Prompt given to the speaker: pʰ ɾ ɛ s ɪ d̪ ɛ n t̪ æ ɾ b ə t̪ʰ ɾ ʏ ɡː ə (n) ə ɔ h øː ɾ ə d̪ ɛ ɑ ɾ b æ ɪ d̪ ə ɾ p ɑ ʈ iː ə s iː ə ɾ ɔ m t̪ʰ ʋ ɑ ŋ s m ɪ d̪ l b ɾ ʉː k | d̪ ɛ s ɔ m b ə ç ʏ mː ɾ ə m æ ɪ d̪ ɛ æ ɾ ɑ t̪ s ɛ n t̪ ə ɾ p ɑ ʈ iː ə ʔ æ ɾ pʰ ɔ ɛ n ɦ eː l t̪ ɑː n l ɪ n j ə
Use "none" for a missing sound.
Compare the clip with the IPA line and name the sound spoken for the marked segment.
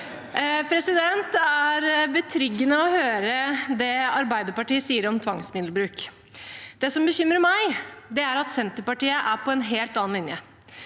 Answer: n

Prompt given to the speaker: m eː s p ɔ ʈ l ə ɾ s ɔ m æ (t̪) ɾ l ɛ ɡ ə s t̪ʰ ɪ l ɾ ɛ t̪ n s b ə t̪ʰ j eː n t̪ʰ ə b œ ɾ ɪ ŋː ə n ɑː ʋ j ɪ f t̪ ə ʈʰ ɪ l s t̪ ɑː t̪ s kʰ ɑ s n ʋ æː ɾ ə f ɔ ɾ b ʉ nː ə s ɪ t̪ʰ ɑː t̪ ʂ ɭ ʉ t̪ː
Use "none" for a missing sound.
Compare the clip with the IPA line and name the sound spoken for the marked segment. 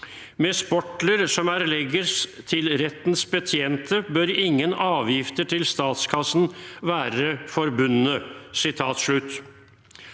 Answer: none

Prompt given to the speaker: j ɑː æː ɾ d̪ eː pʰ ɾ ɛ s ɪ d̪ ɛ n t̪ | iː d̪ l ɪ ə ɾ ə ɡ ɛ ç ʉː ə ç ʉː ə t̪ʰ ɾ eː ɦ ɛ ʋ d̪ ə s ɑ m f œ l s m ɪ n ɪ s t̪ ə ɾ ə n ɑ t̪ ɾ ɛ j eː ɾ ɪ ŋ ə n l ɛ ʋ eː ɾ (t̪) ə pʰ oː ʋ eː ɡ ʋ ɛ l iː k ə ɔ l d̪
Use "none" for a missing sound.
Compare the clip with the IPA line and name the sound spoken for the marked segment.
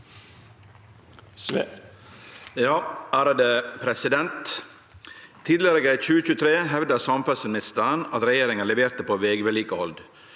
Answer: t̪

